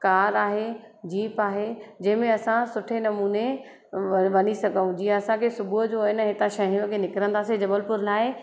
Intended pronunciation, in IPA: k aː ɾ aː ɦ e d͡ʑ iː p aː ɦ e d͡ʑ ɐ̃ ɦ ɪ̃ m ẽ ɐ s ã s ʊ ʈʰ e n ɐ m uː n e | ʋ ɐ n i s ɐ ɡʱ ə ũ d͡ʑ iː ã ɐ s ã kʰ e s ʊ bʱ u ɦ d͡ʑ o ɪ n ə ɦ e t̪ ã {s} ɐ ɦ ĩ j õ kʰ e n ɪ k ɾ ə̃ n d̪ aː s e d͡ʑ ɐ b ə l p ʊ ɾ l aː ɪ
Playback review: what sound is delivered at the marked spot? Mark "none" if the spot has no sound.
ʃ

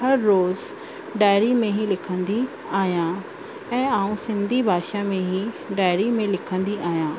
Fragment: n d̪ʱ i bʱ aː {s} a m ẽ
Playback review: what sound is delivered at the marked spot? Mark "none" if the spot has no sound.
ʃ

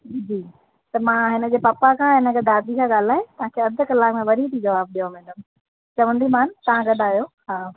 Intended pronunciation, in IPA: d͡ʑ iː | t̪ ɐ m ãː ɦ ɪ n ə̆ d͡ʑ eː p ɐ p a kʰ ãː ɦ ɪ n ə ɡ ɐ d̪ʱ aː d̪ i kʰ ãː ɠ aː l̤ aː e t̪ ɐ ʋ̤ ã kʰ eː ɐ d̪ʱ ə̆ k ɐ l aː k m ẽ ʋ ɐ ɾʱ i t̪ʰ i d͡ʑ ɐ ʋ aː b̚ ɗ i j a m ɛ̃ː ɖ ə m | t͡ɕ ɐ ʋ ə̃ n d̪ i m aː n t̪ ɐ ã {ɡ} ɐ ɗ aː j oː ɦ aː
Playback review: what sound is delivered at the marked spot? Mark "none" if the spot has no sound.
ɡ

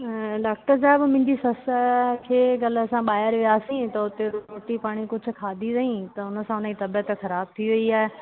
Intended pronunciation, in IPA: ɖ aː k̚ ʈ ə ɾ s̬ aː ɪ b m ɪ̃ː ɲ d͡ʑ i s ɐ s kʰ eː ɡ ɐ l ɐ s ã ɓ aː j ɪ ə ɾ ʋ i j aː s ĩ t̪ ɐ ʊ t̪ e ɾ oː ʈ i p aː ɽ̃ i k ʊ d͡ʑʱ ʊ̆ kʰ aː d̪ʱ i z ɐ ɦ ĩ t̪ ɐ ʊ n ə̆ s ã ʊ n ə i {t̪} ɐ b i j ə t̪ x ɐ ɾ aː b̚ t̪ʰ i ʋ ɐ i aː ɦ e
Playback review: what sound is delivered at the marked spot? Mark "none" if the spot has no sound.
t̪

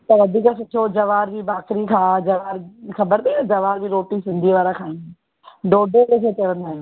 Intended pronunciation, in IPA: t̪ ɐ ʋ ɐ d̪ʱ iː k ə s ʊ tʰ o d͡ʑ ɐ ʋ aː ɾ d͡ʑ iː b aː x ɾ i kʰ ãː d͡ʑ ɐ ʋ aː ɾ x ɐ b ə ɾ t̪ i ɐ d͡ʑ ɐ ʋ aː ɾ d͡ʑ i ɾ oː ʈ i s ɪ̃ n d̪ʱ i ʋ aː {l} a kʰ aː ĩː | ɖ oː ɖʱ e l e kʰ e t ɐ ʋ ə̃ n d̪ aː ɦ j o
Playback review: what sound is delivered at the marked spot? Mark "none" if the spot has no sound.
ɾ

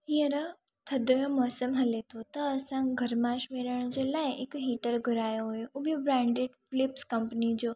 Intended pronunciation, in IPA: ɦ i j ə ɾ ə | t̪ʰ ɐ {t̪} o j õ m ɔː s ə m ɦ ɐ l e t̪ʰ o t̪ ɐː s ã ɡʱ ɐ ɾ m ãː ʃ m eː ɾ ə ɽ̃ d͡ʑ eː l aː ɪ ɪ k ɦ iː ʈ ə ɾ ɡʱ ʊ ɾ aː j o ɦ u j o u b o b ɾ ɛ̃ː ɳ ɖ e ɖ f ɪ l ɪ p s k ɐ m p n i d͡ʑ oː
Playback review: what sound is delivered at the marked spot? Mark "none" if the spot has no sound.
d̪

